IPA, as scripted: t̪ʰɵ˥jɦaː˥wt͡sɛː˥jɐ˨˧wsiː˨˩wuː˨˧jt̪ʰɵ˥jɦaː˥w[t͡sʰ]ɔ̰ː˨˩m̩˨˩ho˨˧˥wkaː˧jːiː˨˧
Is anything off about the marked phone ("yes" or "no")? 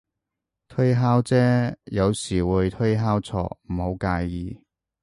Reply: no